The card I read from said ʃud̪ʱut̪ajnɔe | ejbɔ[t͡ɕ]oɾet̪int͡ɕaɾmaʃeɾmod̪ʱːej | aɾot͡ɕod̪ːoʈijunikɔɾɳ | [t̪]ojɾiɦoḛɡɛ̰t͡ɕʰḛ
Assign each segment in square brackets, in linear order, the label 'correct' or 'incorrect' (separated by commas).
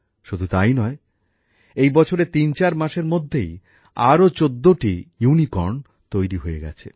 incorrect, correct